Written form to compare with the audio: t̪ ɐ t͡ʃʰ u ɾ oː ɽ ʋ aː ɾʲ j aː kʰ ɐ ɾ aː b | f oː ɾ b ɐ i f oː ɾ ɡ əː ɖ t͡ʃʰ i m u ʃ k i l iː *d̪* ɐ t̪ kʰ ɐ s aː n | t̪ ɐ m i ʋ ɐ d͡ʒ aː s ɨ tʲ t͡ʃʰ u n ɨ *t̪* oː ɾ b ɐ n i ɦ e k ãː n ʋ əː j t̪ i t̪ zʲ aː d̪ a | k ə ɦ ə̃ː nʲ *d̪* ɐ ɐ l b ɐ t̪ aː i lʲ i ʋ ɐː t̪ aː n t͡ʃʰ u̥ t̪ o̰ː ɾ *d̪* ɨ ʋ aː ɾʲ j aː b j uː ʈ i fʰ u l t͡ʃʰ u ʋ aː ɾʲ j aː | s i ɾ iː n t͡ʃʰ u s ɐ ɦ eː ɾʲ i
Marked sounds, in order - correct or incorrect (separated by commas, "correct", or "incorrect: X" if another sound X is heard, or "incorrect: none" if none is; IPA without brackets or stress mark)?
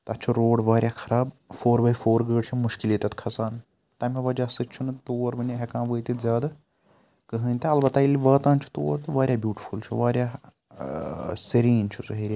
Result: incorrect: t̪, correct, incorrect: t̪, incorrect: t̪